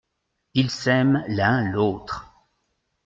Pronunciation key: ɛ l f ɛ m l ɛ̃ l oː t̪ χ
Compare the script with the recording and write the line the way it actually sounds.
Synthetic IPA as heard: i l s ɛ m l ɛ̃ l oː t̪ χ